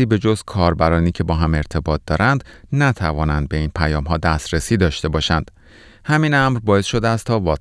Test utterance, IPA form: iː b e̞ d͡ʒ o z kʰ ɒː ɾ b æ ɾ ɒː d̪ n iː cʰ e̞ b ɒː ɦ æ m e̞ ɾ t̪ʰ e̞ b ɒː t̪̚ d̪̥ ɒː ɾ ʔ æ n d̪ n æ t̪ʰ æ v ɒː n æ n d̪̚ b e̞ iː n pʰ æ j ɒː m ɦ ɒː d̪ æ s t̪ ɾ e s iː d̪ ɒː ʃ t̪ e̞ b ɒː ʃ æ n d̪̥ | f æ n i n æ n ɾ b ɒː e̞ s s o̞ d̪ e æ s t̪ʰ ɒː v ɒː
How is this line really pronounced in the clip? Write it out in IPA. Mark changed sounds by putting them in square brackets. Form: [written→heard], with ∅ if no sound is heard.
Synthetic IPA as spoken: iː b e̞ d͡ʒ o z kʰ ɒː ɾ b æ ɾ ɒː [d̪→∅] n iː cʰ e̞ b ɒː ɦ æ m e̞ ɾ t̪ʰ e̞ b ɒː t̪̚ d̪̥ ɒː ɾ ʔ æ n d̪ n æ t̪ʰ æ v ɒː n æ n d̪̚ b e̞ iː n pʰ æ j ɒː m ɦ ɒː d̪ æ s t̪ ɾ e s iː d̪ ɒː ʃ t̪ e̞ b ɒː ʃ æ n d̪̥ | [f→h] æ [n→m] i n æ [n→m] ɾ b ɒː e̞ s [s→ʃ] o̞ d̪ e æ s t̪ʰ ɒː v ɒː